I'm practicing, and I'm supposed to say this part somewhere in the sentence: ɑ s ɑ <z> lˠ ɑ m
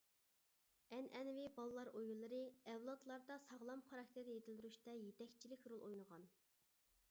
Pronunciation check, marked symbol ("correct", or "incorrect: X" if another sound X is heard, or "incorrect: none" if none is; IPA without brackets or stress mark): incorrect: ʁ